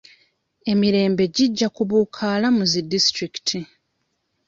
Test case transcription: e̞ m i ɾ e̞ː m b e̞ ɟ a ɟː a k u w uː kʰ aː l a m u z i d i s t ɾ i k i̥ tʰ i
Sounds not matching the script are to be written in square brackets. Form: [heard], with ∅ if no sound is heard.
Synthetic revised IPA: e̞ m i ɾ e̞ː m b e̞ ɟ [i] ɟː a k u [β] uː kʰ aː l a m u z i d i s t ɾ i k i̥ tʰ i